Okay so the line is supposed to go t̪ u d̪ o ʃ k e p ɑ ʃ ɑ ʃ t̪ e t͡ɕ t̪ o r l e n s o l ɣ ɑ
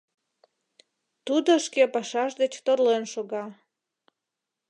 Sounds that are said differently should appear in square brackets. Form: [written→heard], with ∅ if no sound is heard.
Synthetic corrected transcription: t̪ u d̪ o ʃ k e p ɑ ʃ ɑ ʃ [t̪→d̪] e t͡ɕ t̪ o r l e n [s→ʃ] o [l→∅] ɣ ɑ

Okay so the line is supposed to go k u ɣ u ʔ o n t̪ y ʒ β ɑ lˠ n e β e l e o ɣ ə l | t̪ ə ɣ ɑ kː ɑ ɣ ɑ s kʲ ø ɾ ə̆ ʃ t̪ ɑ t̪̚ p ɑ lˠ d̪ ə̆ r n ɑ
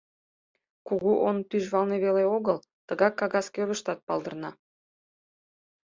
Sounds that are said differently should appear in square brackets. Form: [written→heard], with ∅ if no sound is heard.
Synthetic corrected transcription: k u ɣ u ʔ o n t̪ y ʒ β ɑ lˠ n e β e l e o ɣ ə l | t̪ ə ɣ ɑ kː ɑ ɣ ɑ s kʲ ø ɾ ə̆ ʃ t̪ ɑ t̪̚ p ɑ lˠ d̪ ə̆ r n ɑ

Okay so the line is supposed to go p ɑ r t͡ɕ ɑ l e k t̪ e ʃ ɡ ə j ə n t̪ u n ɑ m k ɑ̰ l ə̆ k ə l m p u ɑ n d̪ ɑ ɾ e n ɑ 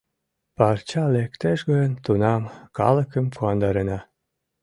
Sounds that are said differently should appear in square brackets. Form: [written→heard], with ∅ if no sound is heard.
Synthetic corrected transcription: p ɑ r t͡ɕ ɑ l e k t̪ e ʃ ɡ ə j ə n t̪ u n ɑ m k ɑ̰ l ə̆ k ə [l→∅] m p u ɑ n d̪ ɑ ɾ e n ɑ

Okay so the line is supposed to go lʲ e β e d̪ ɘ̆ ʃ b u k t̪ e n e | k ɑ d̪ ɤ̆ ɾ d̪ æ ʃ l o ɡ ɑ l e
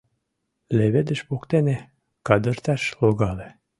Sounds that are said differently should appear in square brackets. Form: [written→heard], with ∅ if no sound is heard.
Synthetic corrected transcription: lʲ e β e d̪ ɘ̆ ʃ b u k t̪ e n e | k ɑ d̪ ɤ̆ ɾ [d̪→t̪] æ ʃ l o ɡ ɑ l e

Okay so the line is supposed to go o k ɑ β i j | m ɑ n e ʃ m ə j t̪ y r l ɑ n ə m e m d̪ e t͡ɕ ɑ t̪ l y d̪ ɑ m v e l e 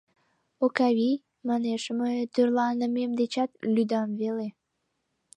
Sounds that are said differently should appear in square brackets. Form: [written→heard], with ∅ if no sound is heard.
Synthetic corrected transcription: o k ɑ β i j | m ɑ n e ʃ m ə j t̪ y r l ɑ n ə m e m d̪ e t͡ɕ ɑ t̪ l y d̪ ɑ m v e l e

